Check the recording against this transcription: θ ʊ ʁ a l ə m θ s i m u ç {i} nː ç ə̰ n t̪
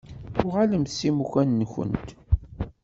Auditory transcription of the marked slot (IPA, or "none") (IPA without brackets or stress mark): æ